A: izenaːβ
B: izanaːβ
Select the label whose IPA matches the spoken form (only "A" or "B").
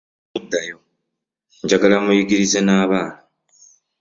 A